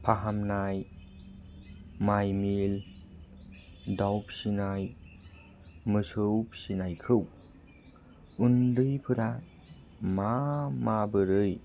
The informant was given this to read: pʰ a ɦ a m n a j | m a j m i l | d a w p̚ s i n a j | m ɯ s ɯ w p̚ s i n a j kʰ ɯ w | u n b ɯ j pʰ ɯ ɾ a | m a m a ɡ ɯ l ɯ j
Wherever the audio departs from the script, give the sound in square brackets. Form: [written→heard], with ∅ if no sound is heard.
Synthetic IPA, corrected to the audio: pʰ a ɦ a m n a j | m a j m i l | d a w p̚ s i n a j | m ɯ s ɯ w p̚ s i n a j kʰ ɯ w | u n [b→d] ɯ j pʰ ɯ ɾ a | m a m a [ɡ→b] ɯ [l→ɾ] ɯ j